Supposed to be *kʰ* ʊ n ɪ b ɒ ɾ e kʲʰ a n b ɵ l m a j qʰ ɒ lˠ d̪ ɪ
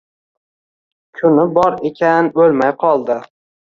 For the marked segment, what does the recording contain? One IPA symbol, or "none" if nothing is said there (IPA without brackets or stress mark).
kʰ